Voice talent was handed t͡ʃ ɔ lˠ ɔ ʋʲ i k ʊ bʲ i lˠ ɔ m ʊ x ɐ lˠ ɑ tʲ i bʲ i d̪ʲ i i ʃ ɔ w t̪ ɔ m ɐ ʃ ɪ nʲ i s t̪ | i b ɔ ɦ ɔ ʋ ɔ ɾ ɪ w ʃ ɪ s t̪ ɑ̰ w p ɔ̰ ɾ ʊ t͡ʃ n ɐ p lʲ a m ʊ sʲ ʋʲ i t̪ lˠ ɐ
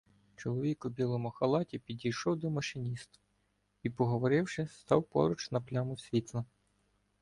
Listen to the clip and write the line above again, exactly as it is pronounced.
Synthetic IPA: t͡ʃ ɔ lˠ ɔ ʋʲ i k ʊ bʲ i lˠ ɔ m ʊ x ɐ lˠ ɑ tʲ i pʲ i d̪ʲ i j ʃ ɔ w d̪ ɔ m ɐ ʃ ɪ nʲ i s t̪ | i p ɔ ɦ ɔ ʋ ɔ ɾ ɪ w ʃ ɪ s t̪ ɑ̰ w p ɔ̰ ɾ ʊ t͡ʃ n ɐ p lʲ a m ʊ sʲ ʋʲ i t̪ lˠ ɐ